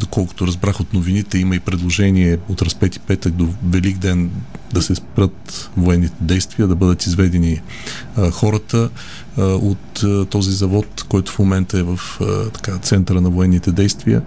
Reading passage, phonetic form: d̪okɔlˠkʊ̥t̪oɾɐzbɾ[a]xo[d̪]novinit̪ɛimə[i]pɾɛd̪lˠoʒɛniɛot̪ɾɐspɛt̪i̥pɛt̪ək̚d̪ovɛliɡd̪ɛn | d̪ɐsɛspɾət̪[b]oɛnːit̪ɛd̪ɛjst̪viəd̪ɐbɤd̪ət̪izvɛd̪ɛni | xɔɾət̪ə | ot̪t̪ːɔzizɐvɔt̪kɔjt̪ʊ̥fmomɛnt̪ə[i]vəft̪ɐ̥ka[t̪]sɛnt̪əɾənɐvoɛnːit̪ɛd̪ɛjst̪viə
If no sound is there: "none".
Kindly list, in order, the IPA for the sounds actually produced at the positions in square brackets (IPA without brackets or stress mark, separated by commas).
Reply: a, t̪, i, v, ɛ, t̪